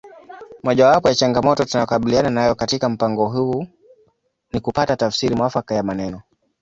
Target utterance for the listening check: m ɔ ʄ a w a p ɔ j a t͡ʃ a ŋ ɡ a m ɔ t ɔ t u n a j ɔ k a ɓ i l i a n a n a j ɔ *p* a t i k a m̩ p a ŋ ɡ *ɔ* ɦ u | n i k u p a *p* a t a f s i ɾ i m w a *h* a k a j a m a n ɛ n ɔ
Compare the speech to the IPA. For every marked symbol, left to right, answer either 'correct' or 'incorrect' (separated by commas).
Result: incorrect, correct, incorrect, incorrect